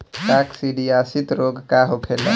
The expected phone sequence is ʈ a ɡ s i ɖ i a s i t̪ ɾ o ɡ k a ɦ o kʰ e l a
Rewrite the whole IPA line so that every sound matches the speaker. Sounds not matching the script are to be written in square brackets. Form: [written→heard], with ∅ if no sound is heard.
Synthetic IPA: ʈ a [ɡ→k] s i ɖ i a s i t̪ ɾ o ɡ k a ɦ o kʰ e l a